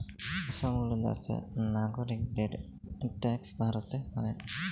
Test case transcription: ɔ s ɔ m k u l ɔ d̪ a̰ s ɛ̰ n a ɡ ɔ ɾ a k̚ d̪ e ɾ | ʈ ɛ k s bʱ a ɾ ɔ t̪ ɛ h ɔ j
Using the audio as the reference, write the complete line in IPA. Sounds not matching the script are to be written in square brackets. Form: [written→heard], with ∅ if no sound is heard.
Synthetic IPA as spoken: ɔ s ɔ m [k→ɡ] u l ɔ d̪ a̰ s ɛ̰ n a ɡ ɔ ɾ [a→i] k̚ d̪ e ɾ | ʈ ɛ k s bʱ a ɾ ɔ t̪ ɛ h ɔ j